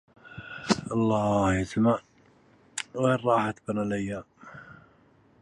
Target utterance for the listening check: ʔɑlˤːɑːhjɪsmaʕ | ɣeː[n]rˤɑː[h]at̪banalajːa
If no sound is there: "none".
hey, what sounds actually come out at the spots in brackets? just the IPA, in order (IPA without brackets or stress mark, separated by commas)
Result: none, ħ